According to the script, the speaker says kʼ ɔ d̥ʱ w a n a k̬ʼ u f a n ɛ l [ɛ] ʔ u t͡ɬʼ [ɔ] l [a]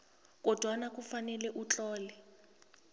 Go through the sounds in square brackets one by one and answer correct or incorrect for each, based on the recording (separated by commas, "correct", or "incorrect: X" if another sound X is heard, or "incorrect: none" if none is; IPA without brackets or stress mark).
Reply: correct, incorrect: ɔː, incorrect: ɛ